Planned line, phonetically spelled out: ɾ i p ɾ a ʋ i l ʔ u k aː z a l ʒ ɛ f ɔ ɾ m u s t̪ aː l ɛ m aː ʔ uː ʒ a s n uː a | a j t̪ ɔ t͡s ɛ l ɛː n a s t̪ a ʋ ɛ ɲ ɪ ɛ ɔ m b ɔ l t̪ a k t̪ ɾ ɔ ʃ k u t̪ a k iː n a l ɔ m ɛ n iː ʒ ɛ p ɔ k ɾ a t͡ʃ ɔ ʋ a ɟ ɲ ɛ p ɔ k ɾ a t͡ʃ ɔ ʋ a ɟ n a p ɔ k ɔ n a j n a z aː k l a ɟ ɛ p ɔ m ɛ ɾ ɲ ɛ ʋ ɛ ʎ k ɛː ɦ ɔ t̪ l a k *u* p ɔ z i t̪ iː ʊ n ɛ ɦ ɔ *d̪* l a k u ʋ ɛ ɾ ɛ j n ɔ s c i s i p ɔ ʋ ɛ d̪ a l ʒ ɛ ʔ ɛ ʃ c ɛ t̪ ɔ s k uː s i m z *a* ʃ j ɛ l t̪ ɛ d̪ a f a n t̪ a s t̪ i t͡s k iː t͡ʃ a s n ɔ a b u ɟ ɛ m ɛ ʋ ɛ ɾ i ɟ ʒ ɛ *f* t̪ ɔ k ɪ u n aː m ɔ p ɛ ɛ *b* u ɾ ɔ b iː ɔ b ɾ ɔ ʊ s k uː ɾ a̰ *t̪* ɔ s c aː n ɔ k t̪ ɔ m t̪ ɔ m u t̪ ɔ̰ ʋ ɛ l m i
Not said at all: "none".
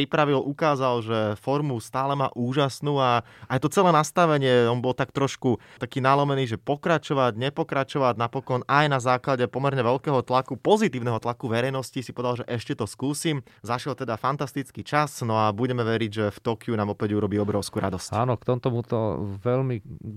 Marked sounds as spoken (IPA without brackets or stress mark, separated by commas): u, t̪, a, f, ɟ, d̪